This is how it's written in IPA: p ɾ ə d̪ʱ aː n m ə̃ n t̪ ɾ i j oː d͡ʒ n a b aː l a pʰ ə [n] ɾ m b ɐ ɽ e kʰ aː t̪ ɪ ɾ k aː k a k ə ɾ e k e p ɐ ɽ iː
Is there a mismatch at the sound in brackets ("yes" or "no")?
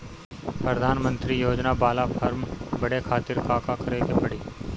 yes